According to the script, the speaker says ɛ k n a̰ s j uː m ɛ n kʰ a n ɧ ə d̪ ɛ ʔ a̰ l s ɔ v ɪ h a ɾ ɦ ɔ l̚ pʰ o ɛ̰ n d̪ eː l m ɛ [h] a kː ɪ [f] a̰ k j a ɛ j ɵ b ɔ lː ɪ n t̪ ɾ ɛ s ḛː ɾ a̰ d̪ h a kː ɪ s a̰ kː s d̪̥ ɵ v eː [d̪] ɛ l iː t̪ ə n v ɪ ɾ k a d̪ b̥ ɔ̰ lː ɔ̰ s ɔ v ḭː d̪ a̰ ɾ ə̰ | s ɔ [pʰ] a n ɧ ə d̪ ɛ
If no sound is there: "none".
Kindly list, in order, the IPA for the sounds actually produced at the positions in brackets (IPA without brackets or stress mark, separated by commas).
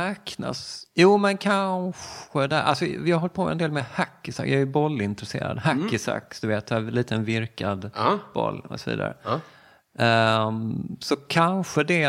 h, s, t̪, kʰ